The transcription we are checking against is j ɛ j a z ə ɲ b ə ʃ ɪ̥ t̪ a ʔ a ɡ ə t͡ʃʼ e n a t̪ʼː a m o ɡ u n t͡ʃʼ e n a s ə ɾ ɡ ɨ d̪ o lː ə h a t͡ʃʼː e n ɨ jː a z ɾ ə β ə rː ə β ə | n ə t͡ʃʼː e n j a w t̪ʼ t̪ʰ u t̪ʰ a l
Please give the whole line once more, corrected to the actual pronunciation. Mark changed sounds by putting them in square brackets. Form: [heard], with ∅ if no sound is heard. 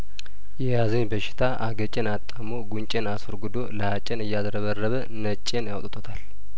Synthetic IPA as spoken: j ɛ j a z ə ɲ b ə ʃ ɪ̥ [t̪ʰ] a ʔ a ɡ ə t͡ʃʼ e n a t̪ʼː a m o ɡ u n t͡ʃʼ e n a s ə ɾ ɡ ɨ d̪ o [l] ə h a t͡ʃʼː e n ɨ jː a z ɾ ə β ə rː ə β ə | n ə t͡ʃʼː e n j a w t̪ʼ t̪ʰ [o] t̪ʰ a l